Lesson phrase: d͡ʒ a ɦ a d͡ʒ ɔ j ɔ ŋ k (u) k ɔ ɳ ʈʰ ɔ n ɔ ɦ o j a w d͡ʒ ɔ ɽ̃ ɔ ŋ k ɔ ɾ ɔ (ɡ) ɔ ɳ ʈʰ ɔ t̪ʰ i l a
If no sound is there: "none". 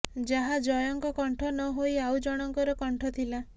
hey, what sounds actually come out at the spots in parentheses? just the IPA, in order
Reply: ɔ, k

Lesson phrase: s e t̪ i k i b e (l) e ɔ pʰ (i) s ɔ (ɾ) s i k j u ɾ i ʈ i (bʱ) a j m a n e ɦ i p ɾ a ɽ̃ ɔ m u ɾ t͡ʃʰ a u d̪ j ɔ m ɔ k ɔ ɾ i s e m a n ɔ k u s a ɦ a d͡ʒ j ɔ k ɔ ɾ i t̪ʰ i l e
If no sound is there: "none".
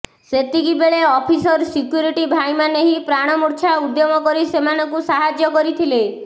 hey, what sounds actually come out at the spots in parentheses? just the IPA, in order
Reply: ɭ, i, ɾ, bʱ

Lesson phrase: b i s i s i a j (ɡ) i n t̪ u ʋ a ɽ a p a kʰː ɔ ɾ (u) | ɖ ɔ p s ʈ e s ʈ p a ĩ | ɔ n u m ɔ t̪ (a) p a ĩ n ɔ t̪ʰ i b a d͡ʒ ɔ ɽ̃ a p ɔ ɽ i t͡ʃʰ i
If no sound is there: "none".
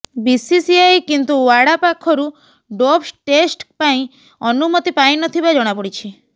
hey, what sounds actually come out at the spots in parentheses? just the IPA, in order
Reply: k, u, i

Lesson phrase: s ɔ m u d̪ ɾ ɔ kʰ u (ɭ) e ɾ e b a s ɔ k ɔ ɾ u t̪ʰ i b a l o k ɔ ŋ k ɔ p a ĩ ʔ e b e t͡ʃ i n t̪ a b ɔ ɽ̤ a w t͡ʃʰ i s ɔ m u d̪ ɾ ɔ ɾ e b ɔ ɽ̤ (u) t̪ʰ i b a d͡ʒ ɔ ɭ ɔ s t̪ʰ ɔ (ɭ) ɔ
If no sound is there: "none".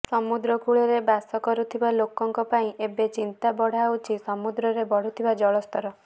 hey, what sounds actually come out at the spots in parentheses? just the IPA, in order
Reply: ɭ, u, ɾ

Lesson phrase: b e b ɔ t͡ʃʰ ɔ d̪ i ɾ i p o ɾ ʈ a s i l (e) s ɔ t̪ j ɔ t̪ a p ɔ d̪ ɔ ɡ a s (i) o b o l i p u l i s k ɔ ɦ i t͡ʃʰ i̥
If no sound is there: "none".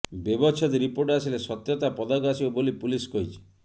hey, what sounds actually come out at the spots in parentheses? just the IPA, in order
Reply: e, i

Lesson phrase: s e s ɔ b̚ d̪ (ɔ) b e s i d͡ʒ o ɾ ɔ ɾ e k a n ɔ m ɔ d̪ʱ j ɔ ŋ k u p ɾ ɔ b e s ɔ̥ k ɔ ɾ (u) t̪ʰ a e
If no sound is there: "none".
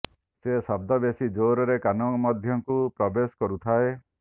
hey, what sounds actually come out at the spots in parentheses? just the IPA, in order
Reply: ɔ, u

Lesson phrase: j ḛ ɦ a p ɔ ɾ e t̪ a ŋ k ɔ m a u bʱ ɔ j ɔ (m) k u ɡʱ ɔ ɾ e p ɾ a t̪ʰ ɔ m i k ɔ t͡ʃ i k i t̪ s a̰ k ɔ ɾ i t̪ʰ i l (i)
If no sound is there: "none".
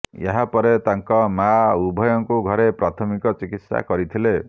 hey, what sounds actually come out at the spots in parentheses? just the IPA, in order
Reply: ŋ, e

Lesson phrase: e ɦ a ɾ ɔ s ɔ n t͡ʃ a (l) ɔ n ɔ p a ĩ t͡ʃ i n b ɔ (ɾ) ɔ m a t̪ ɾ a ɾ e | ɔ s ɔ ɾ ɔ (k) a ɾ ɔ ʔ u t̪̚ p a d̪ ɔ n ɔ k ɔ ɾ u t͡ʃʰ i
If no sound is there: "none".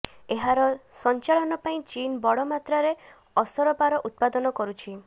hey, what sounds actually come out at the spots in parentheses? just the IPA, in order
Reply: ɭ, ɽ, p

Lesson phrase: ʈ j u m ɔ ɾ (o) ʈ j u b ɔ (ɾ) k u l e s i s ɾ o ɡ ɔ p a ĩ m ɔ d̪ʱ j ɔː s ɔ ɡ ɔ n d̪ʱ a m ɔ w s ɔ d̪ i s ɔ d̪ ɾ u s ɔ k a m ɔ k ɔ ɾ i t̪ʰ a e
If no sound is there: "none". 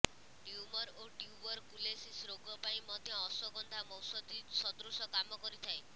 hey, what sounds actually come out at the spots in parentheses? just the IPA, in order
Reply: o, ɾ

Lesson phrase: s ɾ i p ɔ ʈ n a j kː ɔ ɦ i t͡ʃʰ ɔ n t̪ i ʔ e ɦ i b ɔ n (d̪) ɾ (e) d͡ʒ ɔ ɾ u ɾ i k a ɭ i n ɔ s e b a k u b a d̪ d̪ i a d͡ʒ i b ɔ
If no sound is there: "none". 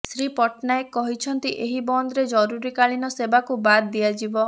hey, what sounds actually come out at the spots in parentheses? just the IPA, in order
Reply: d̪, e

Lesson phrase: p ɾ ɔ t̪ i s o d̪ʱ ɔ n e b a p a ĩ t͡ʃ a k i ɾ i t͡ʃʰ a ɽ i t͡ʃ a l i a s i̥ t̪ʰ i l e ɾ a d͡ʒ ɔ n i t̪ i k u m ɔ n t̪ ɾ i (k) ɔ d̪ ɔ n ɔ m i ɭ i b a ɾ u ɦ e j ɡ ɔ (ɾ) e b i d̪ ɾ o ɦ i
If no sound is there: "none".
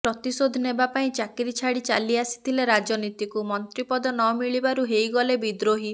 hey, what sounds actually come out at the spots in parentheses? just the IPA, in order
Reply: p, l

